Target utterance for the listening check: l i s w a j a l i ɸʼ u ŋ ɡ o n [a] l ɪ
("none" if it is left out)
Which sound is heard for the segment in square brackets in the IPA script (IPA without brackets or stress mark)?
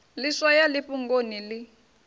i